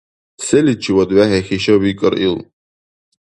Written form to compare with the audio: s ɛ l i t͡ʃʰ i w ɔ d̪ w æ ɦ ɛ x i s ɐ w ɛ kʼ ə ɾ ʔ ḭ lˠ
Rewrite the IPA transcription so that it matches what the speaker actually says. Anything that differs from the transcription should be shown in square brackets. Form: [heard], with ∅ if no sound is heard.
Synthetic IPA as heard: s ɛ l i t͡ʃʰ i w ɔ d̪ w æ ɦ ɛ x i [ʃ] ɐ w [i] kʼ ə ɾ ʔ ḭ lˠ